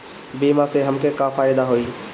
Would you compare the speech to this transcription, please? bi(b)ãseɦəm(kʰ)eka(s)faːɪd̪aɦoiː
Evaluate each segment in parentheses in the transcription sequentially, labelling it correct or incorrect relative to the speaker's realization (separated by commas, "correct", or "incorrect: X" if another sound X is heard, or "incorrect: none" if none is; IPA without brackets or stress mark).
incorrect: m, incorrect: k, incorrect: none